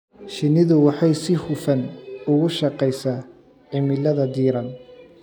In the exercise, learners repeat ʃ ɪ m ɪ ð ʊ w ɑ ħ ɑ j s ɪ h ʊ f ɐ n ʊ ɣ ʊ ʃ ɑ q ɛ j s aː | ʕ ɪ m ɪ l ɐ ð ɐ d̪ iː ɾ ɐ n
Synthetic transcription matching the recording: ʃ ɪ n ɪ ð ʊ w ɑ ħ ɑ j s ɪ h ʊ f ɐ n ʊ ɣ ʊ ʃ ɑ q ɛ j s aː | ʕ ɪ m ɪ l ɐ ð ɐ d̪ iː ɾ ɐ n